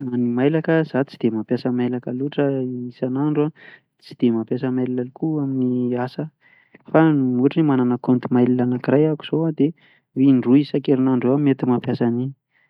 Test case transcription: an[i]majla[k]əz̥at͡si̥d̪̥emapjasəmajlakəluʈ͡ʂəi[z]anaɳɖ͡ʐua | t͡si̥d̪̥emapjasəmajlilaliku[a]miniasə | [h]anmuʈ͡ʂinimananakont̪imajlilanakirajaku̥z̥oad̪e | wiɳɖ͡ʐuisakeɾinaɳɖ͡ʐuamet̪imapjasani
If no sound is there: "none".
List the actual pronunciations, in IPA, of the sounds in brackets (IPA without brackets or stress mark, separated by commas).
i, k, s, a, f